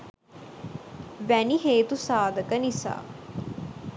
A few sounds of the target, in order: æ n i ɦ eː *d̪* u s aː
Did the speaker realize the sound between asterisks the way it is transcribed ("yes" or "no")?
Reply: no